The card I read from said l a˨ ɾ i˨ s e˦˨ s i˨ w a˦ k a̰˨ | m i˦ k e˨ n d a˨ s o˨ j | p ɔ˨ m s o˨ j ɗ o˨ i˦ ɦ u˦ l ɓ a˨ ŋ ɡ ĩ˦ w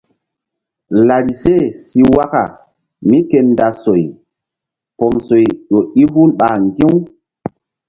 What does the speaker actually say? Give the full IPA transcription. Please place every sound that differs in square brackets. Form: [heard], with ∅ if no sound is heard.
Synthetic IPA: l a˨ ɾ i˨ s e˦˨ s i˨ w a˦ k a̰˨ | m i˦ k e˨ n d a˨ s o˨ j | p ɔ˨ m s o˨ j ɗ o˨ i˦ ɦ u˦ l ɓ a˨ ŋ ɡ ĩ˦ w